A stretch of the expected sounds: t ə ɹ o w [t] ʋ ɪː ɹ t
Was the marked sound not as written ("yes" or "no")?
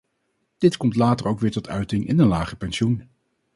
yes